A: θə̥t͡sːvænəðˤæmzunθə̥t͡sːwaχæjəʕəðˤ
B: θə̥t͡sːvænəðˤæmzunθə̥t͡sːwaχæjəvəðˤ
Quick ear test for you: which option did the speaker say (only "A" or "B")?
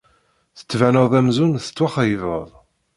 B